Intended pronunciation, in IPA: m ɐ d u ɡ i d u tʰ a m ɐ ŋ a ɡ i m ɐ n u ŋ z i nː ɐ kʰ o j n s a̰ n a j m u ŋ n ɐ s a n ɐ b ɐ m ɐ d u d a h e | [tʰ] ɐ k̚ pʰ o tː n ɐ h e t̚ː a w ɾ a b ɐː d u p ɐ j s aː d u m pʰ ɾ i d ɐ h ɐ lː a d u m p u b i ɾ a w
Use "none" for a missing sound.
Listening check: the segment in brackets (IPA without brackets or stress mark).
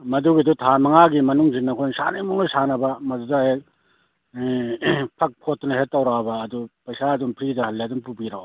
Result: pʰ